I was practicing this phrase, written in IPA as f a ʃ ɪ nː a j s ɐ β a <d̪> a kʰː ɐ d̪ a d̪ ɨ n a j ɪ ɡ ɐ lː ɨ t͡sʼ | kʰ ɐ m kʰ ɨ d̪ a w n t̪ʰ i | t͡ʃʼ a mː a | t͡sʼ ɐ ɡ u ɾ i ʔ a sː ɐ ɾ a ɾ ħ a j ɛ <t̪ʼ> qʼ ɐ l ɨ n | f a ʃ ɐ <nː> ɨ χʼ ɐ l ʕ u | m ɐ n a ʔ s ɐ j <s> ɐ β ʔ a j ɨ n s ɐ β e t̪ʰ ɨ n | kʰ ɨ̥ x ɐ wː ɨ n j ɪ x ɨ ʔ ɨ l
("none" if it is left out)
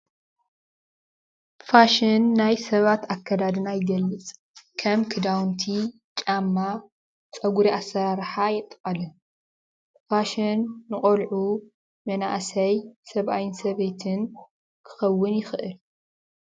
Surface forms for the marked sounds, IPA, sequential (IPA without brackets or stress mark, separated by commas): t̪, t̪ʼ, nː, s